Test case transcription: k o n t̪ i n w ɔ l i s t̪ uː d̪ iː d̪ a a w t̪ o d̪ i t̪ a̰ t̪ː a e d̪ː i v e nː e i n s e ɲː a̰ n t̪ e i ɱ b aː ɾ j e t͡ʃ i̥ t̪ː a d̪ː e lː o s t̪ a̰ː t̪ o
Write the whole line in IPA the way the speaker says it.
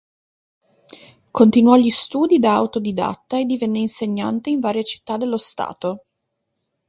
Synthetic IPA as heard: k o n t̪ i n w ɔ ʎ i s t̪ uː d̪ i d̪ a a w t̪ o d̪ i d̪ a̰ t̪ː a e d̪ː i v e nː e i n s e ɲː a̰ n t̪ e i ɱ v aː ɾ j e t͡ʃ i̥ t̪ː a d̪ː e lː o s t̪ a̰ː t̪ o